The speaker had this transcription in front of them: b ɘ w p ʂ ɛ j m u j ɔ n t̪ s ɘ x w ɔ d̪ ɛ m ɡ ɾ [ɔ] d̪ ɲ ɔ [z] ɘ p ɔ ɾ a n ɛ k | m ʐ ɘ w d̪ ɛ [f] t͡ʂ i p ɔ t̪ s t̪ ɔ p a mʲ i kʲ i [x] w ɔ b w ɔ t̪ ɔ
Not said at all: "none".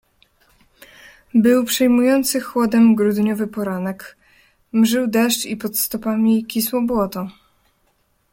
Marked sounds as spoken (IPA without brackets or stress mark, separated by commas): u, v, ʂ, s